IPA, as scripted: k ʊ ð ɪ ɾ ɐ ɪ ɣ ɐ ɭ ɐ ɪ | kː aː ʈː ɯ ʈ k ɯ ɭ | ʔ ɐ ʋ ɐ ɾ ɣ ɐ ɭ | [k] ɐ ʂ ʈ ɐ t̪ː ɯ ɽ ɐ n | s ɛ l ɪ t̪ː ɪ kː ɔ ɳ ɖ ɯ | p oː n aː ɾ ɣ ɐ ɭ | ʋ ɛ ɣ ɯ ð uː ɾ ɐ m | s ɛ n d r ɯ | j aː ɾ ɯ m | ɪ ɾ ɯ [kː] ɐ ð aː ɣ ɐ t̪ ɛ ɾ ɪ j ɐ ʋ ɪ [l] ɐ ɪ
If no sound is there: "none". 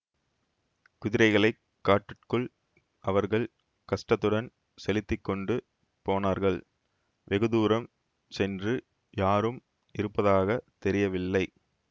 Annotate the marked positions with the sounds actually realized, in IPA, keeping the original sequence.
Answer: k, pː, lː

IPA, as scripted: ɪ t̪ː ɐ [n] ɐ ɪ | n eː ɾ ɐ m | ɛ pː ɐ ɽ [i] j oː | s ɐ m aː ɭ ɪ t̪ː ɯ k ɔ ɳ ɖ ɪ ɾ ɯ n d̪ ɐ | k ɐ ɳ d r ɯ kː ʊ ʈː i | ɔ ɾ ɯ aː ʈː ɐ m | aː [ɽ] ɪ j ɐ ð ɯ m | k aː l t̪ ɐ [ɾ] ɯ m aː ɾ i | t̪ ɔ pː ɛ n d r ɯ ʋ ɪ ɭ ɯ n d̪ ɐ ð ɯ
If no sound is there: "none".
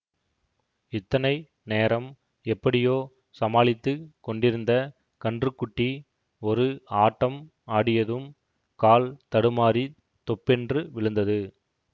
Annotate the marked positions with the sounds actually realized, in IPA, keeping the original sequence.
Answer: n, ɪ, ɽ, ɽ

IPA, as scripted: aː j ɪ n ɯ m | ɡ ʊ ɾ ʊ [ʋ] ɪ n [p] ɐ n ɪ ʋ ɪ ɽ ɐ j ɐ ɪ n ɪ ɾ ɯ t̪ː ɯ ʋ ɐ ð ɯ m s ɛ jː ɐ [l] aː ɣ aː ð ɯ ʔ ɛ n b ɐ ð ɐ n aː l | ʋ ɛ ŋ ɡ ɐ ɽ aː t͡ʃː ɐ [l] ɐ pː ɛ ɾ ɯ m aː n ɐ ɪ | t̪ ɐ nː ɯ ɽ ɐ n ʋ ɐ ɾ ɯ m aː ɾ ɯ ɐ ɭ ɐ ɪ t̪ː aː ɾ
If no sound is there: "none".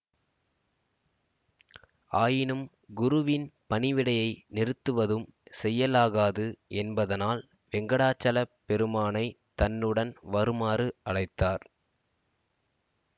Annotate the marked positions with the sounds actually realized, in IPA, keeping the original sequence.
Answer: ʋ, p, l, l

